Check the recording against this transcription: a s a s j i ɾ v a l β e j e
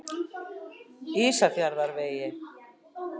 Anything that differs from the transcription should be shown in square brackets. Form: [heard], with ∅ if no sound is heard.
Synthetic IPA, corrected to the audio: [i] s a [θ] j [a] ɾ [ð] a [ɾ] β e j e